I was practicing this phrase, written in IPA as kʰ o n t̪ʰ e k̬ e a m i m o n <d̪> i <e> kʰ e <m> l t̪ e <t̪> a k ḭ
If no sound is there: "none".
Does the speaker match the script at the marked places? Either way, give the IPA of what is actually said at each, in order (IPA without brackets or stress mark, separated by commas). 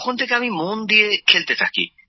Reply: d̪, e, none, t̪ʰ